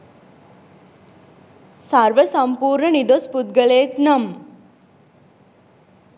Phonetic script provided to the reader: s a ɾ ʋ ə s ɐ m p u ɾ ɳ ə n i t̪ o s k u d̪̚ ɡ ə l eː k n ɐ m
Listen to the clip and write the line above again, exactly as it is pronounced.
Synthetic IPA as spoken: s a ɾ ʋ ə s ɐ m p uː ɾ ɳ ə n i d̪ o s p u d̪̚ ɡ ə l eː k n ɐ m